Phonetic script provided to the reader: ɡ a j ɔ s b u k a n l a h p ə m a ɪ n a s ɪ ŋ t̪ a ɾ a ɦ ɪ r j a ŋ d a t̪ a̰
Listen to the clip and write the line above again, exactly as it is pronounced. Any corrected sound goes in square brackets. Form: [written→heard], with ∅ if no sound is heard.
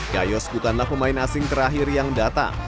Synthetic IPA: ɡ a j ɔ s b u k a n l a h p ə m a ɪ n a s ɪ ŋ t̪ [a→ə] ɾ a ɦ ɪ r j a ŋ d a t̪ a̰